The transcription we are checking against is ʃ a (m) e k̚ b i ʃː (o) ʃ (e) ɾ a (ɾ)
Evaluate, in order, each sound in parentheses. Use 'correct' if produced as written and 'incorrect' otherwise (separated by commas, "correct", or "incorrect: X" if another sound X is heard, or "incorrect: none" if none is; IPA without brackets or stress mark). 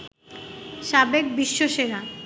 incorrect: b, correct, correct, incorrect: none